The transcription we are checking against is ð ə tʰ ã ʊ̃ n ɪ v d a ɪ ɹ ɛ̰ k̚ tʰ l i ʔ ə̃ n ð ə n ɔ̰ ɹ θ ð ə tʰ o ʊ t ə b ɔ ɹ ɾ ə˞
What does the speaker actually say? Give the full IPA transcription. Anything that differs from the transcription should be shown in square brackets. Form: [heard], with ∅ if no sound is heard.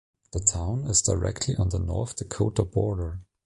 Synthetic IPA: ð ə tʰ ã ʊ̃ n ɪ [z] d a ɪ ɹ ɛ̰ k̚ tʰ l i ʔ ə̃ n ð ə n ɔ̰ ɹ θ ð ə [kʰ] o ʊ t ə b ɔ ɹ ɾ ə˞